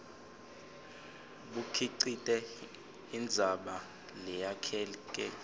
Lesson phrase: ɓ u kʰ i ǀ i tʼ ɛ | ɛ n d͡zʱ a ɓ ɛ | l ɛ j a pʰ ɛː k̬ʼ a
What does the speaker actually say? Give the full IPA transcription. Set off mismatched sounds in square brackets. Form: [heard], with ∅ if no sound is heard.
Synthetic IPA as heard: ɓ u kʰ i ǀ i tʼ ɛ | [i] n d͡zʱ a ɓ [a] | l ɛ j a [kʰ] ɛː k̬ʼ [ɛ]